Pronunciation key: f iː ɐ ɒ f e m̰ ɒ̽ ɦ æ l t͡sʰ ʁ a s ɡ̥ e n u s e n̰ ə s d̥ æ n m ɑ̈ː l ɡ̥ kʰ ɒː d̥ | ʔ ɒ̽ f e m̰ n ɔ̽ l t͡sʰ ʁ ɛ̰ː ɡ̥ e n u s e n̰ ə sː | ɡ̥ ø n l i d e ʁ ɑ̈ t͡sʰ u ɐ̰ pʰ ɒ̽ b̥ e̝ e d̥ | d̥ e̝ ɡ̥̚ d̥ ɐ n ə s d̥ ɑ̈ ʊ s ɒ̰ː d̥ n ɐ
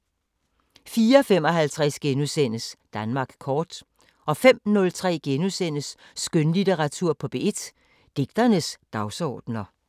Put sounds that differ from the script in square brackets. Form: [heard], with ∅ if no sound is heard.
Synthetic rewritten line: f iː ɐ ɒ f e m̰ ɒ̽ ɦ æ l t͡sʰ ʁ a s ɡ̥ e n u s e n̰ ə s d̥ æ n m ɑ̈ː [∅] ɡ̥ kʰ ɒː d̥ | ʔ ɒ̽ f e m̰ n ɔ̽ l t͡sʰ ʁ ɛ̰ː ɡ̥ e n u s e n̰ ə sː | ɡ̥ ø n l i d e ʁ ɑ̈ t͡sʰ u ɐ̰ pʰ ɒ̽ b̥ e̝ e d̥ | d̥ e̝ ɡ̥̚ d̥ ɐ n ə s d̥ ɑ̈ ʊ s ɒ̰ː d̥ n ɐ